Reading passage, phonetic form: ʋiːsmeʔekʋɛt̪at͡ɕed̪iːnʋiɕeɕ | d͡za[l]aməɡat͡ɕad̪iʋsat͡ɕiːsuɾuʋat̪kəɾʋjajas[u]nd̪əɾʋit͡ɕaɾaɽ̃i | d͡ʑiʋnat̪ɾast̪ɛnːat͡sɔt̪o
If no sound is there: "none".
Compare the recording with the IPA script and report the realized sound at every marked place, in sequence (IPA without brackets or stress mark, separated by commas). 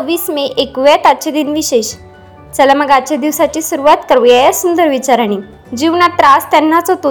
l, u